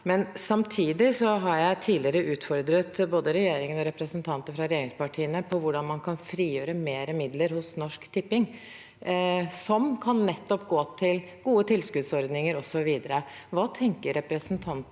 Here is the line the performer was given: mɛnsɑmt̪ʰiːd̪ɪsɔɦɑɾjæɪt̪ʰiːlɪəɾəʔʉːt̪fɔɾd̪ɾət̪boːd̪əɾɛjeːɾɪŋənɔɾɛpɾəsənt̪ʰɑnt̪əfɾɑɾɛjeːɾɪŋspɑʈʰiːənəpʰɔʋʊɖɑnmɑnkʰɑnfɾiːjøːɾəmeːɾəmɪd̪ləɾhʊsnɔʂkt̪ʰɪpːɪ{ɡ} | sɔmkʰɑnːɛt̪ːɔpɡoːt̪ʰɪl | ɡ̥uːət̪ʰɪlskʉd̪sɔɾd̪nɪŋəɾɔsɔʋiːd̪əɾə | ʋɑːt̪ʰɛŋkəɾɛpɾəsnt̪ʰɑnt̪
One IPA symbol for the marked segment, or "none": ŋ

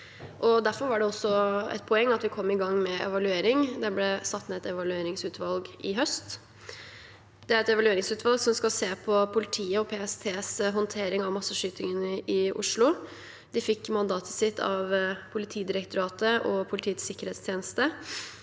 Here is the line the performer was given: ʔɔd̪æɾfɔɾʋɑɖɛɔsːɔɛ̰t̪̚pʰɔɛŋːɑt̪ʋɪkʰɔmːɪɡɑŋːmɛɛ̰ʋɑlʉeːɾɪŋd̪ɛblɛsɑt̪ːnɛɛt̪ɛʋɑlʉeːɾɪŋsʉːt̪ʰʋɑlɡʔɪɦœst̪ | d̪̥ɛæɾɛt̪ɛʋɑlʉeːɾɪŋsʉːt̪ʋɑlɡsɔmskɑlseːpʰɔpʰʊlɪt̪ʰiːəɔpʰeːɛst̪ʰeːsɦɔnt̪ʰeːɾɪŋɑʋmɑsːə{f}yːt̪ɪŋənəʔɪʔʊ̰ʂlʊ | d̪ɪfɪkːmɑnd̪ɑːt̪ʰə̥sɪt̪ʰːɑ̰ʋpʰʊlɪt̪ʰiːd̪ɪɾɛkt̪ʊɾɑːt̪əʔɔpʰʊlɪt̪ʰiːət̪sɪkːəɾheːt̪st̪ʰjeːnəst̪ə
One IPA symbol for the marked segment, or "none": ʂ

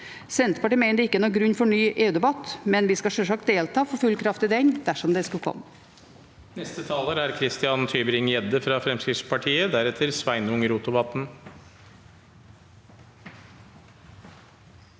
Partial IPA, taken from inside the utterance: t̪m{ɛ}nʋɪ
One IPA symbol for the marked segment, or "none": ɛ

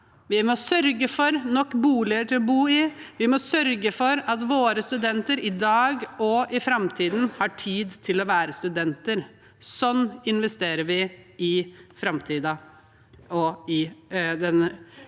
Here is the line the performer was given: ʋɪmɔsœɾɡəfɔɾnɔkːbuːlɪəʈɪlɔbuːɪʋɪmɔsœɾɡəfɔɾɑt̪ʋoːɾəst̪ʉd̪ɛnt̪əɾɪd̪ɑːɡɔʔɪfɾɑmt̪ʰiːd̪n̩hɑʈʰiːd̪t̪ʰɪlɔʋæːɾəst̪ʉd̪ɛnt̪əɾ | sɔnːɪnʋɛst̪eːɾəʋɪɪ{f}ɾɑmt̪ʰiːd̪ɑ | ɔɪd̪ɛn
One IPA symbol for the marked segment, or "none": f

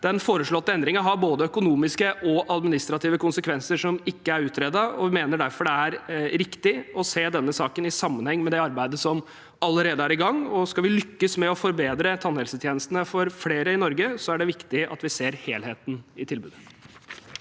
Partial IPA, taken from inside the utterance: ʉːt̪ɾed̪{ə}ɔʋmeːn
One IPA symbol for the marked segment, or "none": ɑ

